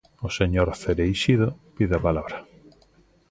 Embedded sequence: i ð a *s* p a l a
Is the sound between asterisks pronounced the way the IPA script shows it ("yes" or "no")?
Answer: no